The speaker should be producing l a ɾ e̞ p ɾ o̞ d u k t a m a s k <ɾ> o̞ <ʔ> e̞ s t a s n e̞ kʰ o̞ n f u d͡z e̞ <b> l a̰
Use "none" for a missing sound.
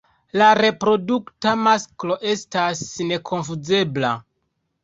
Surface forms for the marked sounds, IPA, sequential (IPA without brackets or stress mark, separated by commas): l, ʔ, b